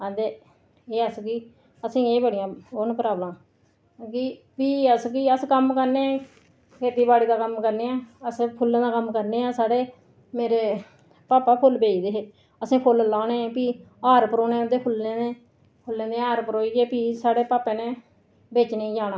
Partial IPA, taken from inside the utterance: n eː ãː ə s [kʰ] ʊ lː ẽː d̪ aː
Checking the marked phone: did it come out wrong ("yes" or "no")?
yes